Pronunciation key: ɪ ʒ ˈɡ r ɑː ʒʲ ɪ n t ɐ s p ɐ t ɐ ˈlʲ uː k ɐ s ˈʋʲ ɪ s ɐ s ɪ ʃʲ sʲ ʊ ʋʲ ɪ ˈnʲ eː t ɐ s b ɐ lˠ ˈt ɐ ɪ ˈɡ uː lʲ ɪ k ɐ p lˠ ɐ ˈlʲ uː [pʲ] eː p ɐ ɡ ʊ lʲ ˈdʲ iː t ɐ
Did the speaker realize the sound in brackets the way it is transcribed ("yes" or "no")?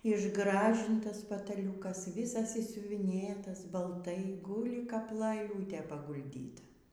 no